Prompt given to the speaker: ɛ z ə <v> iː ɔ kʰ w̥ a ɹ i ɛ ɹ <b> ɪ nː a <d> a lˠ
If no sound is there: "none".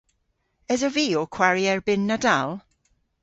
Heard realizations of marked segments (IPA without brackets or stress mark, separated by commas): v, b, d